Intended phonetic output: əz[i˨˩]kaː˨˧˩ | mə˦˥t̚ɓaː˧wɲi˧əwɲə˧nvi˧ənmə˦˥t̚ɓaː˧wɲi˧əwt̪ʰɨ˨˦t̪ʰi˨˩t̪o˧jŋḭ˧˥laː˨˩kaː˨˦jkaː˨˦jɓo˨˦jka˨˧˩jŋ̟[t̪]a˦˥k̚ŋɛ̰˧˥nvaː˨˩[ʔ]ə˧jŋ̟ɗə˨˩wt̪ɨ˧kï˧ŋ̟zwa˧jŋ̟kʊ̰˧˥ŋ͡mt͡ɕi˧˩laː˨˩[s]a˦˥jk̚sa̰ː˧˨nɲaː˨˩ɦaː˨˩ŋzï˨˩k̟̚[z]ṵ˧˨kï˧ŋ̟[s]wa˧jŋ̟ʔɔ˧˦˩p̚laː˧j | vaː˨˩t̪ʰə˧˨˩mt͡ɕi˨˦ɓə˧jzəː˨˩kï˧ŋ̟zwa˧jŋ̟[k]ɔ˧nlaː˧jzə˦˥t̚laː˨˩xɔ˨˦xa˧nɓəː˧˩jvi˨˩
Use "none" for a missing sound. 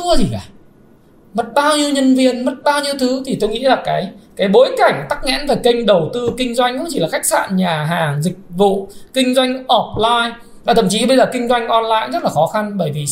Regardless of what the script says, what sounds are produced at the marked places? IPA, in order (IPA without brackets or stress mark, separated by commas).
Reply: i˨˩, t̪, k, x, v, z, ʔ